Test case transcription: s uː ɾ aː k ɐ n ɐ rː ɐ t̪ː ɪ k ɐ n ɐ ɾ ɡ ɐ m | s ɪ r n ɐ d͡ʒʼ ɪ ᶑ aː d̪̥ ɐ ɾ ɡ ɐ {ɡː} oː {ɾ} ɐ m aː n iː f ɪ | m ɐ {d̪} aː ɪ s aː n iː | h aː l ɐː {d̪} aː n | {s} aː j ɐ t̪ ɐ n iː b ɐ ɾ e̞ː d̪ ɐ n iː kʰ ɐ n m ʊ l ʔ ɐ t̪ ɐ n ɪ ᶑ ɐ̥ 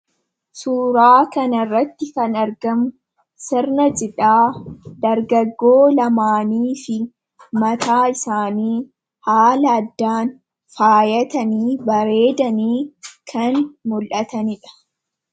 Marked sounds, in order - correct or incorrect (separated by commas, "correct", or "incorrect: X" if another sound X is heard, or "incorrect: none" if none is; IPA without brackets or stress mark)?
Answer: correct, incorrect: l, incorrect: t̪, incorrect: d̪ː, incorrect: f